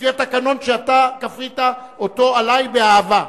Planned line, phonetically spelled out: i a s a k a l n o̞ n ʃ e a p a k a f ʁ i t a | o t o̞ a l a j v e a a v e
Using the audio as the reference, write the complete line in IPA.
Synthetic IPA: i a t a k a n o̞ n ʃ e a t a k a f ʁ i t a | o t o̞ a l a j b e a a v a